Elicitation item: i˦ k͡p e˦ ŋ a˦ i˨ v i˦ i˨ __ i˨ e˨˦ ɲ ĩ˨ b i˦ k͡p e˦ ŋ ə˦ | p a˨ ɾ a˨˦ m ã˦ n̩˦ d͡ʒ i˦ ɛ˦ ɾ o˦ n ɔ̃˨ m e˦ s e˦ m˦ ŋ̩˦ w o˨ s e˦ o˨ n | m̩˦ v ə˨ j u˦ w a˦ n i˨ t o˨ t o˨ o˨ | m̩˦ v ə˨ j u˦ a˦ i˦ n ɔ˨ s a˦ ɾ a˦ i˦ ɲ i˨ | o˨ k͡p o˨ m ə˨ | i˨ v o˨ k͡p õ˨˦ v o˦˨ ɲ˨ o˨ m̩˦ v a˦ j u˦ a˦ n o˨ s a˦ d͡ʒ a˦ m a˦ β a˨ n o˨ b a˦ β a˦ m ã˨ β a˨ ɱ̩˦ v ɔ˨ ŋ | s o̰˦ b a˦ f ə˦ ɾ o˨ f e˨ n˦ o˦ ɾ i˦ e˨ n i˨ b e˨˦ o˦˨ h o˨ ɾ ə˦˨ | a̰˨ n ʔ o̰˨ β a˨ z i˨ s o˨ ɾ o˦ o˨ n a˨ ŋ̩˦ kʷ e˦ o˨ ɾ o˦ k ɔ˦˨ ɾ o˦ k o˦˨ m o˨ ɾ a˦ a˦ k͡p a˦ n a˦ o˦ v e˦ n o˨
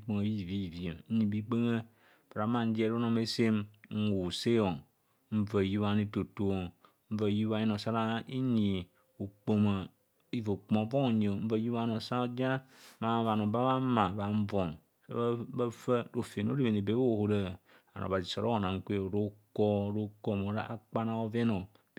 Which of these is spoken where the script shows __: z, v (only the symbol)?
v